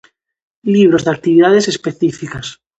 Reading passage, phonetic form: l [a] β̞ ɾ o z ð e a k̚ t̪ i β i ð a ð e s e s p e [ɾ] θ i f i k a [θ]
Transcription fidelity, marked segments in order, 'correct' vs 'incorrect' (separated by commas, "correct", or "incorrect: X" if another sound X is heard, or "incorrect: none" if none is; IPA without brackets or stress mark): incorrect: i, incorrect: none, incorrect: s